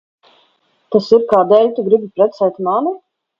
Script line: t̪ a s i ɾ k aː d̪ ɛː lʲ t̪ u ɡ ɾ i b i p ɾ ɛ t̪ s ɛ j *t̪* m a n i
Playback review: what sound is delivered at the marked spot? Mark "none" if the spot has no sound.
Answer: t̪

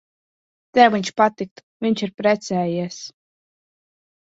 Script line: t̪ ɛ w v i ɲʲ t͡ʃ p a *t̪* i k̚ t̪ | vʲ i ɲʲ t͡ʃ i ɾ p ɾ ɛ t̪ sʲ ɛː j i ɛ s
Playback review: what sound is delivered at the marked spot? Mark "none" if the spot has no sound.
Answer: t̪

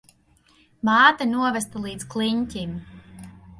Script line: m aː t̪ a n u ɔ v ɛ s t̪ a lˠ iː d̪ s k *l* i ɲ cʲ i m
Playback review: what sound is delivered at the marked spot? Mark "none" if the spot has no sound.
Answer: l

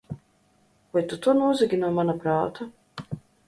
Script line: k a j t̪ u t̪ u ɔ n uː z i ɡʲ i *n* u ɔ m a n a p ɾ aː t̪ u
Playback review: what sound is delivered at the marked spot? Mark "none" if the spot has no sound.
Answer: n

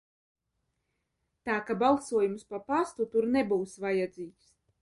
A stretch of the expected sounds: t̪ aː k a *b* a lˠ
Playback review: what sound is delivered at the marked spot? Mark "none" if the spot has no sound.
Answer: b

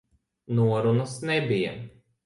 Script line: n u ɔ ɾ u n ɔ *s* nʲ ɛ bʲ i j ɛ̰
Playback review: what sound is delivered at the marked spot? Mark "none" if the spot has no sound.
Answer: s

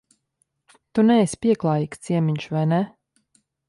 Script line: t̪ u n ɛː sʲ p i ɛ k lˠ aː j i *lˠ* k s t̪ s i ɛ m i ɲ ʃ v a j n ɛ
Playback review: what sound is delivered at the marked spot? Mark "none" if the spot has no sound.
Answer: none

